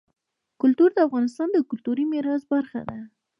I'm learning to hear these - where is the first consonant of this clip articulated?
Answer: velum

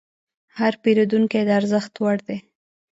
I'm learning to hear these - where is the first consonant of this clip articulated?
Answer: throat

